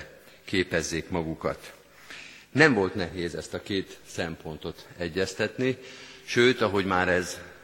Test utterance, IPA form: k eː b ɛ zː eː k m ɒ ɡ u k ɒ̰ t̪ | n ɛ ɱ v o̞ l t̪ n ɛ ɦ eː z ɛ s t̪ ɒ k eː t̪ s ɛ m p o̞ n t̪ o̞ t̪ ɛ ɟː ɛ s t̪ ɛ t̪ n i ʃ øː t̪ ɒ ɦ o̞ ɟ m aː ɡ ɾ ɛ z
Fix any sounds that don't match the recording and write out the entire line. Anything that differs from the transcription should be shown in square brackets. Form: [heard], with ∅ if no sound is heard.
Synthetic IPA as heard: k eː [p] ɛ zː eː k m ɒ ɡ u k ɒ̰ t̪ | n ɛ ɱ v o̞ l t̪ n ɛ ɦ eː z ɛ s t̪ ɒ k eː t̪ s ɛ m p o̞ n t̪ o̞ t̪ ɛ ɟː ɛ s t̪ ɛ t̪ n i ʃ øː t̪ ɒ ɦ o̞ ɟ m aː [∅] ɾ ɛ z